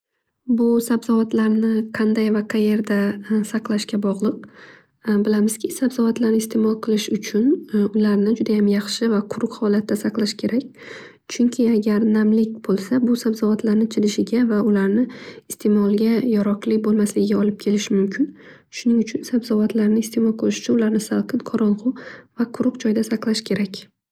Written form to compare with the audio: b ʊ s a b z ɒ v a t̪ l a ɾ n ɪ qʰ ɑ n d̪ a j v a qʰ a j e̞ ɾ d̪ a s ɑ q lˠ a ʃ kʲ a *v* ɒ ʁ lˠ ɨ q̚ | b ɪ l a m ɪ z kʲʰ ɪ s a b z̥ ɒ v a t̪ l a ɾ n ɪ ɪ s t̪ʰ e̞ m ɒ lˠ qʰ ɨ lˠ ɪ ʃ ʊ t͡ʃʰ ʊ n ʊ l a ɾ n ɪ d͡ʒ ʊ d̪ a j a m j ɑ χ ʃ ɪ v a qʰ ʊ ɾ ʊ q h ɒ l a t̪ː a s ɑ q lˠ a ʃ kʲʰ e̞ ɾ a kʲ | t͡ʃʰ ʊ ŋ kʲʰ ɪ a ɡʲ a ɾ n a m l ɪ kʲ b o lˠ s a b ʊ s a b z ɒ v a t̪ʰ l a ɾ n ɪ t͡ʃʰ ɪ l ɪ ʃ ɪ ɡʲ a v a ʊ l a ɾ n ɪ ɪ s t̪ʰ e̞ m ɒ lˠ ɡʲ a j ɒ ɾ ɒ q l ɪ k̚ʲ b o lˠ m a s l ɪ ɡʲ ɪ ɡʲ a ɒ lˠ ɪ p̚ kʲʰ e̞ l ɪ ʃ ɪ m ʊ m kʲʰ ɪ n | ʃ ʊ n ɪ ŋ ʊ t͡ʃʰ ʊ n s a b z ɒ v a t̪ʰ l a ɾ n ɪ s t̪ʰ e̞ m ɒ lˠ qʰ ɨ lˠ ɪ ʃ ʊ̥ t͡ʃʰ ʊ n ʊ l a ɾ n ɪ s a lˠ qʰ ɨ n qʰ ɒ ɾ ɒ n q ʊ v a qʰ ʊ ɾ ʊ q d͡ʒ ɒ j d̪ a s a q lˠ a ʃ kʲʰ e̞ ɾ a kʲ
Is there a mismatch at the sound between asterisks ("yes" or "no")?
yes